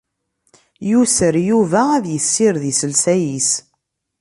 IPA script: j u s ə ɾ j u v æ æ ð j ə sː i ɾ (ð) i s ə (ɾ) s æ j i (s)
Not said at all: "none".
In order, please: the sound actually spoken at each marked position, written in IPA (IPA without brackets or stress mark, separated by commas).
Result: ð, l, s